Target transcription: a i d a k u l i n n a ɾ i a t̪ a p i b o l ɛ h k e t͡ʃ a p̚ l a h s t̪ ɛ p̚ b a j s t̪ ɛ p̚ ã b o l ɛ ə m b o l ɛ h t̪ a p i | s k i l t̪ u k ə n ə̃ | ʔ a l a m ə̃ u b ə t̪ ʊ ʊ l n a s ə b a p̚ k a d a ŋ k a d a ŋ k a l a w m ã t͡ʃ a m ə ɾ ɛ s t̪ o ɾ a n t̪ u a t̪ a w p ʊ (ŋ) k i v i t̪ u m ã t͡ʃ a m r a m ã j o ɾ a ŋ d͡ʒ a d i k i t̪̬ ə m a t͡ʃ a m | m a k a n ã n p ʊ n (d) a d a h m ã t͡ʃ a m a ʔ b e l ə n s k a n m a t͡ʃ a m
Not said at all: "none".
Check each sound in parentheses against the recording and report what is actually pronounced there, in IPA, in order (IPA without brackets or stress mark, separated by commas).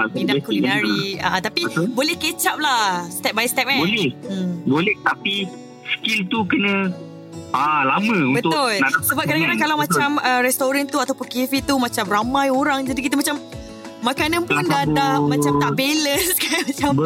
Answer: n, d